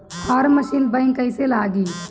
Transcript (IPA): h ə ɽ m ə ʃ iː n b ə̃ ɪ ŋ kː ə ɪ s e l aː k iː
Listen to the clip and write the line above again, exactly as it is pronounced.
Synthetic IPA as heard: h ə ɾ m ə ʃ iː n b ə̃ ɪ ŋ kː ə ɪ s e l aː ɡ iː